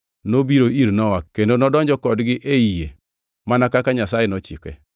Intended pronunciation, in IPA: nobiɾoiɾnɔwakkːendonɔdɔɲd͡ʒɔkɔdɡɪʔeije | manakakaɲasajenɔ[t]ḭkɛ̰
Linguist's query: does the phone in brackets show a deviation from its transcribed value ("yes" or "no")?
yes